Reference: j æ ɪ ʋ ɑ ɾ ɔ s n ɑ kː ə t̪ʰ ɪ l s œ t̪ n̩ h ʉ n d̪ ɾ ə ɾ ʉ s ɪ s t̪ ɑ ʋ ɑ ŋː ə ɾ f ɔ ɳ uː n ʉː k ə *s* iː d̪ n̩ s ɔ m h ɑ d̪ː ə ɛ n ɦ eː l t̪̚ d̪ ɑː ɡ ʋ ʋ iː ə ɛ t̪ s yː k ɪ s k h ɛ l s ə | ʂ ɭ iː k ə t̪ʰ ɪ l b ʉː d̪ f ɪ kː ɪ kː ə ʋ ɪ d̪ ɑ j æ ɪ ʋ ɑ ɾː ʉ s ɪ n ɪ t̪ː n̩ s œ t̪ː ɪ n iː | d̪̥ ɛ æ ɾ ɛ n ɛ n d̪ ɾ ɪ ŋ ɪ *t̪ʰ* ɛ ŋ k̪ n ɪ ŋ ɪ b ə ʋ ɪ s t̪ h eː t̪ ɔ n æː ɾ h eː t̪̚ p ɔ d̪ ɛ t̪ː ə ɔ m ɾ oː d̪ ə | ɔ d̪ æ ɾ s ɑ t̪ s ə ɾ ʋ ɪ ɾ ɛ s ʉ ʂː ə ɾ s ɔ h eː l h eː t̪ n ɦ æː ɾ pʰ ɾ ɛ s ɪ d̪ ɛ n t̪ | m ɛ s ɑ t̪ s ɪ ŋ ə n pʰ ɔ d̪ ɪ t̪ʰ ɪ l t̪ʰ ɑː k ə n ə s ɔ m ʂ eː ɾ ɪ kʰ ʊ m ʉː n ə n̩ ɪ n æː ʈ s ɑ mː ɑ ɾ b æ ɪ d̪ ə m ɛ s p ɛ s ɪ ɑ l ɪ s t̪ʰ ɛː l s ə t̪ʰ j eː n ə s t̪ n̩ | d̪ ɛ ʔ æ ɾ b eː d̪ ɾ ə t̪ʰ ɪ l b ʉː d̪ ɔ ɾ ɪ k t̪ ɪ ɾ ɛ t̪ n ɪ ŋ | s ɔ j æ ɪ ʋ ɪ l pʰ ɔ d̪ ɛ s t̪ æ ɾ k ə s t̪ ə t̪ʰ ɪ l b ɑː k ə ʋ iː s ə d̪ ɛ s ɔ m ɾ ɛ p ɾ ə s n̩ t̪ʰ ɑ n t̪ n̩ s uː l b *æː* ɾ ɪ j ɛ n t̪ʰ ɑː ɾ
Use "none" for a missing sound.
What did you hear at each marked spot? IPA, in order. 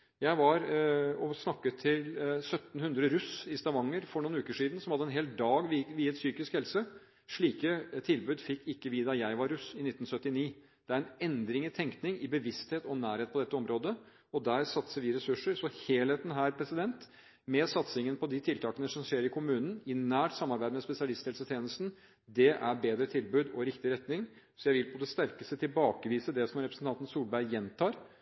ʂ, t̪ʰ, æ

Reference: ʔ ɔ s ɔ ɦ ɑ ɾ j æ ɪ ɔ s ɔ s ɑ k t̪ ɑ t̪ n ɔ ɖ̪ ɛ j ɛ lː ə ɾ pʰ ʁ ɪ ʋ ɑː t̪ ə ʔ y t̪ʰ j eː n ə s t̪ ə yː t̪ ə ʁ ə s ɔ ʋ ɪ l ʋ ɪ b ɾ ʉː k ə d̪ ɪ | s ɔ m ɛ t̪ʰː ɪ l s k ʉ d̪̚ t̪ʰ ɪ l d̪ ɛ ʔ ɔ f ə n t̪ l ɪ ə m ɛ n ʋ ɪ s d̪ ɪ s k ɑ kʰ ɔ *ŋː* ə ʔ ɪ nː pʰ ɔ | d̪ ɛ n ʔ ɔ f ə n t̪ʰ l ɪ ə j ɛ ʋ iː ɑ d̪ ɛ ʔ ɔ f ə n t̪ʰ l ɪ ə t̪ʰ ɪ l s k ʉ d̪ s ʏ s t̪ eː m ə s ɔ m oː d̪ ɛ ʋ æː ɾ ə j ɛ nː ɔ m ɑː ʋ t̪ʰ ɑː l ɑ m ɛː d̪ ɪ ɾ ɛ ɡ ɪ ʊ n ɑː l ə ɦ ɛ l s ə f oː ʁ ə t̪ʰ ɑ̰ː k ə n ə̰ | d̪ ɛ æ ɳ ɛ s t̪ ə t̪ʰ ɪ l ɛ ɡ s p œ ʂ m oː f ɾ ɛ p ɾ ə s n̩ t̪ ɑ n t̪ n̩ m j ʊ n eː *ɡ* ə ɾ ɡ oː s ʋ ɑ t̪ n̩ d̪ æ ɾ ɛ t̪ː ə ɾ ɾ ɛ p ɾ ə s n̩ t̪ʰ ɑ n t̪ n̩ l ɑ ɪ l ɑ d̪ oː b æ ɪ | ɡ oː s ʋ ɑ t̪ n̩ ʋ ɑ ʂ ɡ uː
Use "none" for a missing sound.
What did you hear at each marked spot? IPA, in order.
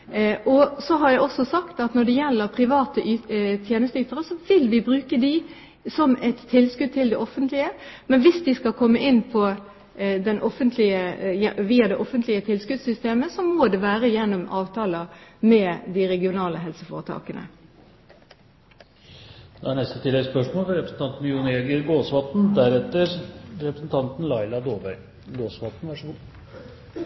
mː, ɡ

